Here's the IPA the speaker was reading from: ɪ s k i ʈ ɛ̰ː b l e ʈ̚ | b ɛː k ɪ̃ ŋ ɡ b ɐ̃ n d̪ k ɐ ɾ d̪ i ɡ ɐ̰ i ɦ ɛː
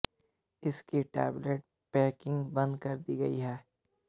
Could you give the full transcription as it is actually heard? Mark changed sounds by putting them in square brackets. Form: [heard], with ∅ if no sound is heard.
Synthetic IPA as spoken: ɪ s k i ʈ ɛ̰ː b l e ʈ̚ | [p] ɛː k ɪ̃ ŋ ɡ b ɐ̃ n d̪ k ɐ ɾ d̪ i ɡ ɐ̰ i ɦ ɛː